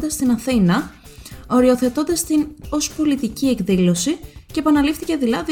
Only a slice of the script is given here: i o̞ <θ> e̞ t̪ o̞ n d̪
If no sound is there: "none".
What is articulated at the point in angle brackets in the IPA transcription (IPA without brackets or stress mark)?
θ